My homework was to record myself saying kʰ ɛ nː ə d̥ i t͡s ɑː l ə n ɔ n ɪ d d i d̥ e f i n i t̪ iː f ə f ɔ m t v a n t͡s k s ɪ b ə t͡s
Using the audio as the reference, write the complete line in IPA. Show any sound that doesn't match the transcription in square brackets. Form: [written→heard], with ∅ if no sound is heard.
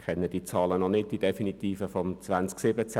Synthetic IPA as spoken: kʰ ɛ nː ə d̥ i t͡s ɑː l ə n ɔ n ɪ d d i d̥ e f i n i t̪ iː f ə f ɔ m [t→t͡s] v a n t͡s k s ɪ b ə t͡s